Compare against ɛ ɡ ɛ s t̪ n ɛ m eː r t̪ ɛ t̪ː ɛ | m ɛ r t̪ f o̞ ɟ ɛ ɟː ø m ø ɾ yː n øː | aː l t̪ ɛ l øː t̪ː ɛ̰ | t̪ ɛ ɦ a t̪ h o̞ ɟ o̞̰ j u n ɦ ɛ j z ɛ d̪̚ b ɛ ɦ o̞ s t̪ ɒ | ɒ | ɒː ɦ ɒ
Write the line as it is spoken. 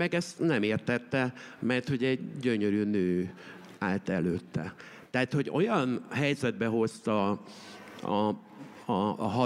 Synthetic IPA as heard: ɛ ɡ ɛ s t̪ n ɛ m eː r t̪ ɛ t̪ː ɛ | m ɛ r t̪ h o̞ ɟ ɛ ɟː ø ɲ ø ɾ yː n øː | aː l t̪ ɛ l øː t̪ː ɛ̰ | t̪ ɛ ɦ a t̪ h o̞ ɟ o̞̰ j ɒ n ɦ ɛ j z ɛ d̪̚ b ɛ ɦ o̞ s t̪ ɒ | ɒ | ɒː ɦ ɒ